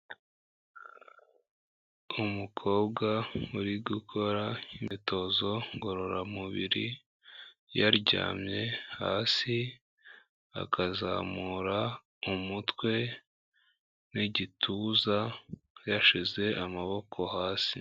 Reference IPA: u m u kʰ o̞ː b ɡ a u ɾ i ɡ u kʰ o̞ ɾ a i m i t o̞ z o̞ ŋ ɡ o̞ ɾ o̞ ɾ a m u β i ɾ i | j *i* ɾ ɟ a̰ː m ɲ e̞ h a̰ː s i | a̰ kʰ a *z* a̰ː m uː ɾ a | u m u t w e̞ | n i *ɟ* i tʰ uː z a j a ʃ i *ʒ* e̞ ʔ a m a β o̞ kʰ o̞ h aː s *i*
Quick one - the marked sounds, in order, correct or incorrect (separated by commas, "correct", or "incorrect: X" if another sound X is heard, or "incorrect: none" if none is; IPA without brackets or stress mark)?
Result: incorrect: a, correct, correct, incorrect: z, correct